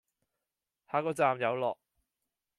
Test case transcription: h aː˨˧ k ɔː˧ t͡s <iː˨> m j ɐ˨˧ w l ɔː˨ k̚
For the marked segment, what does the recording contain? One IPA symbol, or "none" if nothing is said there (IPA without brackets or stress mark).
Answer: aː˨